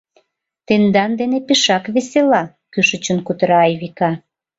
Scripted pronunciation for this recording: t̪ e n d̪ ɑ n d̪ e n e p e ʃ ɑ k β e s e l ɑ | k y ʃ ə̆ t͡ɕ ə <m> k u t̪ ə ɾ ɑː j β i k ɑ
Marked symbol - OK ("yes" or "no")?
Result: no